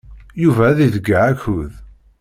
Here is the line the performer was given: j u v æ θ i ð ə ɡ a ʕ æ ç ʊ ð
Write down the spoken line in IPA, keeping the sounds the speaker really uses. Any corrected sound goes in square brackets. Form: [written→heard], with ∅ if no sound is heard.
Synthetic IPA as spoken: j u v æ [θ→ð] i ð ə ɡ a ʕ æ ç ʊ ð